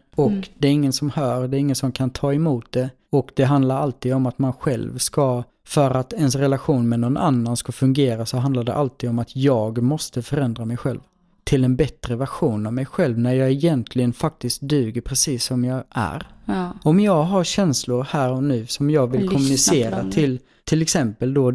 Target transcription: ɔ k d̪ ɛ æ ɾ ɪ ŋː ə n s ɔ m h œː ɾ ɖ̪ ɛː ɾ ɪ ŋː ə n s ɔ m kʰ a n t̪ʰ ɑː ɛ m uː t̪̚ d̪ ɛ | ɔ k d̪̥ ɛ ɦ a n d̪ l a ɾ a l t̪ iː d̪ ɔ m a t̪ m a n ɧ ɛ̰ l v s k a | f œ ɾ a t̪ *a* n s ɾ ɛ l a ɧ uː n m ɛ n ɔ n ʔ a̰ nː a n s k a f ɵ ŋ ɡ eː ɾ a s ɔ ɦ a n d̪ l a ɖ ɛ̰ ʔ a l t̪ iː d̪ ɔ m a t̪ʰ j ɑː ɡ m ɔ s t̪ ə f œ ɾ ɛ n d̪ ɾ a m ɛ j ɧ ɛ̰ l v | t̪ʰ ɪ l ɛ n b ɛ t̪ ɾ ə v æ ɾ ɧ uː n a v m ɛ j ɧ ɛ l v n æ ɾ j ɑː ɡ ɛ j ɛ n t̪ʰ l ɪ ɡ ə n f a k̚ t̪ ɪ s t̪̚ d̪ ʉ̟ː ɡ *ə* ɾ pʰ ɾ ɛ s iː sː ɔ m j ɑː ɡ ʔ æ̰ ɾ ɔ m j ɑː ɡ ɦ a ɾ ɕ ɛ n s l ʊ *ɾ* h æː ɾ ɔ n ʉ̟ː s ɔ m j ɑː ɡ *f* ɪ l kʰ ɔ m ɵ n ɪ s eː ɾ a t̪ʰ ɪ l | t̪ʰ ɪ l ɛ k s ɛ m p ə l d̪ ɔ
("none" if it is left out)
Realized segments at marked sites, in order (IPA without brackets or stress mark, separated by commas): ɛ, ə, ɾ, v